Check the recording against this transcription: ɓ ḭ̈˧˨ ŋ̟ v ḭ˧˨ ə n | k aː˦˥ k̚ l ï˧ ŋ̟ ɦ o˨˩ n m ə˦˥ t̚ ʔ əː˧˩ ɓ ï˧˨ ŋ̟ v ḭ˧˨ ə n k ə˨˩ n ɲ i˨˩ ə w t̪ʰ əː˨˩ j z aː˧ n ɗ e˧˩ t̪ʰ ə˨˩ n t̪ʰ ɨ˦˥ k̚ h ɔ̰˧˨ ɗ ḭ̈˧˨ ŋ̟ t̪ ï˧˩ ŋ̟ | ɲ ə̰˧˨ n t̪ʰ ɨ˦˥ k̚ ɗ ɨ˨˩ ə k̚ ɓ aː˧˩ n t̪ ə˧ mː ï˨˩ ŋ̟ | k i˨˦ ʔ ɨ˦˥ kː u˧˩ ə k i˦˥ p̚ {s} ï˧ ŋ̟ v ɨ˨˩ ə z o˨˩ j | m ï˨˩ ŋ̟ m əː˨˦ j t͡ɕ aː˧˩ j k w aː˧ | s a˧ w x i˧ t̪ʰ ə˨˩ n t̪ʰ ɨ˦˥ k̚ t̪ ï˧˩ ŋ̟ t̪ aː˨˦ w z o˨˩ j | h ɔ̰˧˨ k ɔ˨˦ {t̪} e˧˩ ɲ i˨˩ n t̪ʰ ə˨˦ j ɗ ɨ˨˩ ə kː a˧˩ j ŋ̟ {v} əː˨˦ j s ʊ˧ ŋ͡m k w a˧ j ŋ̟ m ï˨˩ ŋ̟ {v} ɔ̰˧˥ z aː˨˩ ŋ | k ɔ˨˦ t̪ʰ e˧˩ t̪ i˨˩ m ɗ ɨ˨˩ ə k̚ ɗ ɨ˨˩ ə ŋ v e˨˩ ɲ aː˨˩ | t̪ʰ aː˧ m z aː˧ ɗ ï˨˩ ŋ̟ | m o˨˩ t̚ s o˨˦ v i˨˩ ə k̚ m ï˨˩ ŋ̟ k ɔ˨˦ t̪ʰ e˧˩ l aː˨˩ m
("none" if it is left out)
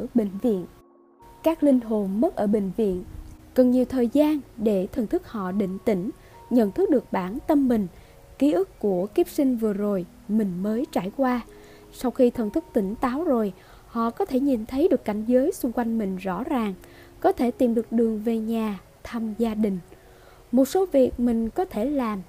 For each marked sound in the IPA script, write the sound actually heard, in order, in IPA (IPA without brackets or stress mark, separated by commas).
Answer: s, t̪ʰ, z, z